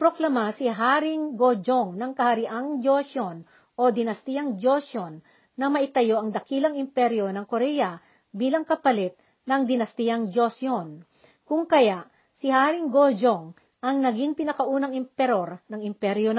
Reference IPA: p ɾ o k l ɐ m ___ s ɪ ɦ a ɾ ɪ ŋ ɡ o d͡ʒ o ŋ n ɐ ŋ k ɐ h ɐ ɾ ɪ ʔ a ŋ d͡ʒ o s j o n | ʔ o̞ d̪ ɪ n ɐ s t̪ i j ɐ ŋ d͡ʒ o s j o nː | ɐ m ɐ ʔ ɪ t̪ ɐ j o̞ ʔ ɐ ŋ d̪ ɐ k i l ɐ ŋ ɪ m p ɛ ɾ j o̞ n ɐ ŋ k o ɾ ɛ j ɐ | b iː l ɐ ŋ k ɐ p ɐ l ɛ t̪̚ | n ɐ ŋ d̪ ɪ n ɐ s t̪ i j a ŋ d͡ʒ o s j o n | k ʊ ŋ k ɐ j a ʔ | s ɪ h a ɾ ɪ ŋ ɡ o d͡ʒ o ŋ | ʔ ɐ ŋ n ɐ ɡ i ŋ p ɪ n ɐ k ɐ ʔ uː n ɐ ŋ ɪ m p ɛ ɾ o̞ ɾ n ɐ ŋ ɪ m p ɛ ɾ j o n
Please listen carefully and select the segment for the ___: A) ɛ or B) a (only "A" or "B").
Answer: B